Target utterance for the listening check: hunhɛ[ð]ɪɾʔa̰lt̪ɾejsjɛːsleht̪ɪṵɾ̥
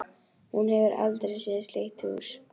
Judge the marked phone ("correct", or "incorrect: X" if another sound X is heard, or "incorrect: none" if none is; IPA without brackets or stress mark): incorrect: v